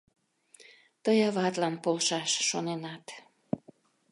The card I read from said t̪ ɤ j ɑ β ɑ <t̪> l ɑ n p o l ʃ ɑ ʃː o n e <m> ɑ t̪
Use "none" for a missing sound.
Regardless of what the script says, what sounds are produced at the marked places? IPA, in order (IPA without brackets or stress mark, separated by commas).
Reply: t̪, n